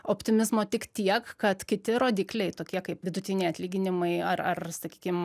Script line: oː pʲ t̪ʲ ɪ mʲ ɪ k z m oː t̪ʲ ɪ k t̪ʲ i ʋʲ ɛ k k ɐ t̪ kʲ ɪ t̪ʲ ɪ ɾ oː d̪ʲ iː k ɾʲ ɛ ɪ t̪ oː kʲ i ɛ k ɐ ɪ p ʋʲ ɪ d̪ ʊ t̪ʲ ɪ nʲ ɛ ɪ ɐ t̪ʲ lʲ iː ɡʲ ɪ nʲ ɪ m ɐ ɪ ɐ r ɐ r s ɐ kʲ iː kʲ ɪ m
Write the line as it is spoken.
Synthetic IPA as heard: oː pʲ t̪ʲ ɪ mʲ ɪ z m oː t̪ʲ ɪ k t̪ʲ i ɛ k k ɐ t̪ kʲ ɪ t̪ʲ ɪ ɾ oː d̪ʲ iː k lʲ ɛ ɪ t̪ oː kʲ i ɛ k ɐ ɪ p ʋʲ ɪ d̪ ʊ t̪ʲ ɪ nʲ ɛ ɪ ɐ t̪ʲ lʲ iː ɡʲ ɪ nʲ ɪ m ɐ ɪ ɐ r ɐ r s ɐ kʲ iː kʲ ɪ m